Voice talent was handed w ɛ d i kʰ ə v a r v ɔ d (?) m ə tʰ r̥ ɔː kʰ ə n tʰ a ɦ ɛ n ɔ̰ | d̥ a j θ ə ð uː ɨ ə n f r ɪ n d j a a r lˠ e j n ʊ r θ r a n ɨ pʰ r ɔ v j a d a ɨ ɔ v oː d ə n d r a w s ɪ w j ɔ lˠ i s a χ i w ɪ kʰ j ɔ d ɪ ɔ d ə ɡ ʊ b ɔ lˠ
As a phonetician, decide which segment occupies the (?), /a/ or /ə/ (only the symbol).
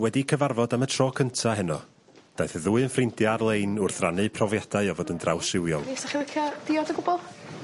a